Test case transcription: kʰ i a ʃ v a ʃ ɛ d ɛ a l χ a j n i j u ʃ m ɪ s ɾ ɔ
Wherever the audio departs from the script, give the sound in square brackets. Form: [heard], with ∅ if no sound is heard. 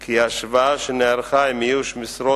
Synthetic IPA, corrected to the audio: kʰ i a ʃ v a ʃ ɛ [n] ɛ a [ɾ] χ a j [m] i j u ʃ m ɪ s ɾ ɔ

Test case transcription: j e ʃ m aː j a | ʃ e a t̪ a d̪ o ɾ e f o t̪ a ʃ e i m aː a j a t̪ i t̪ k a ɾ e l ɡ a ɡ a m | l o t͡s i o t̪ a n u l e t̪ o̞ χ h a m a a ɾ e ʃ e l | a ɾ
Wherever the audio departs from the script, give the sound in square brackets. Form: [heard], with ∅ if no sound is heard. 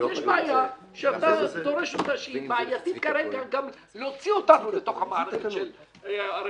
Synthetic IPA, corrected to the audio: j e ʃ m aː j a | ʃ e a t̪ a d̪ o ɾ e [ʃ] o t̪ a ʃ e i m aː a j a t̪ i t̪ k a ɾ e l ɡ a ɡ a m | l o t͡s i o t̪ a n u l e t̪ o̞ χ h a m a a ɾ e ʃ e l | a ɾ

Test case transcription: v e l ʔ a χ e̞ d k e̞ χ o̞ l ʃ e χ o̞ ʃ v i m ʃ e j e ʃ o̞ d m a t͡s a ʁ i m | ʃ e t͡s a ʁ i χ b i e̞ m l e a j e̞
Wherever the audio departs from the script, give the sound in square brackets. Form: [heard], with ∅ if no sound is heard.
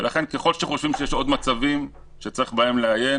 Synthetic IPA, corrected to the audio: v e l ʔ a χ e̞ [n] k e̞ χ o̞ l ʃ e χ o̞ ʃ v i m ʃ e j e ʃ o̞ d m a t͡s a [v] i m | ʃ e t͡s a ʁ i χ b [a] e̞ m l e a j e̞

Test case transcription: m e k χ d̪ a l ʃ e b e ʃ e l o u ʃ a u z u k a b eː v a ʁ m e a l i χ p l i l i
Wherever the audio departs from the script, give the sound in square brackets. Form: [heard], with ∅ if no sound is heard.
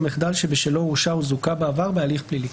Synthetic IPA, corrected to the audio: m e [∅] χ d̪ a l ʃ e b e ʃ e l o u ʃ a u z u k a b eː v a ʁ [b] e a l i χ p l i l i

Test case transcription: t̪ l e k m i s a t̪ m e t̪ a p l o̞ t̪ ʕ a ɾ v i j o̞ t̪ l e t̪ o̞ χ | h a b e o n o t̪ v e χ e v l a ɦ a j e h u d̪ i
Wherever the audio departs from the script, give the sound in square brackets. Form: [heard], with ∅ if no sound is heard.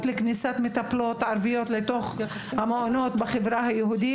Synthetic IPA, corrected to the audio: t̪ l e k [n] i s a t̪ m e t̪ a p l o̞ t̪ ʕ a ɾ v i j o̞ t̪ l e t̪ o̞ χ | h a [m] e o n o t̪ [b] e χ e v [ɾ] a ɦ a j e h u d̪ i

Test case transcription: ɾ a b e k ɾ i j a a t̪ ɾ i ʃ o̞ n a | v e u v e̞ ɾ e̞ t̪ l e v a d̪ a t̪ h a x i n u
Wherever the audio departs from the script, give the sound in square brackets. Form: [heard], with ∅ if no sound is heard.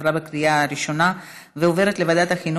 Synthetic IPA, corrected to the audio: ɾ a b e k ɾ i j a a [∅] ɾ i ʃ o̞ n a | v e [o] v e̞ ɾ e̞ t̪ l e v a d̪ a t̪ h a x i n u

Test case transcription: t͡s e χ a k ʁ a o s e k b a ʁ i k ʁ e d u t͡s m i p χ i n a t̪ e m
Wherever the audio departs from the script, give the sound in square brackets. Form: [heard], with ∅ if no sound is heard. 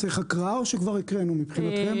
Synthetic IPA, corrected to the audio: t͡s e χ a k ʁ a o [ʃ] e k [v] a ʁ i k ʁ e [n] u [∅] m i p χ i n a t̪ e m

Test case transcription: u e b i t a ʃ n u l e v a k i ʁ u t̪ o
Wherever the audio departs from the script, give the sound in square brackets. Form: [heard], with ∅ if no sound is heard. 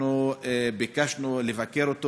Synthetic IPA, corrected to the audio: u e b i [k] a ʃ n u l e v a k [e] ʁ [o] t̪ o

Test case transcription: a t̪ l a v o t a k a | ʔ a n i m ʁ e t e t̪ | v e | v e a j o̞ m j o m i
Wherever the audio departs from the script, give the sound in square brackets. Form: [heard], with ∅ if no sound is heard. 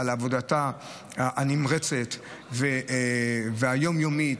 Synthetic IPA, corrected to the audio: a [∅] l a v o [d] a [t] a | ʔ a n i m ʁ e [t͡s] e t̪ | v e | v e a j o̞ m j o m i

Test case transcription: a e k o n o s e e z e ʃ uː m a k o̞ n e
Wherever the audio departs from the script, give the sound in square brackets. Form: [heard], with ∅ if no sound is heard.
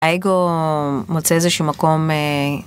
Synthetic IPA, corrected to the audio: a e [ɡ] o [m] o [t͡s] e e z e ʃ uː m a k o̞ [m] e

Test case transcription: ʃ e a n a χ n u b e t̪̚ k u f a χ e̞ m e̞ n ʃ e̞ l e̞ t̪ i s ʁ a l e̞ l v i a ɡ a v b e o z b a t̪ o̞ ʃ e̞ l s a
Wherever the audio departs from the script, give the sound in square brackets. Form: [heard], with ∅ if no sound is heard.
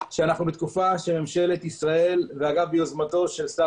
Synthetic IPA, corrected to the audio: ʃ e a n a χ n u b e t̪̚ k u f a [ʃ] e̞ m e̞ [m] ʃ e̞ l e̞ t̪ i s ʁ a [∅] e̞ l v [e] a ɡ a v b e o z [m] a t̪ o̞ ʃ e̞ l s a

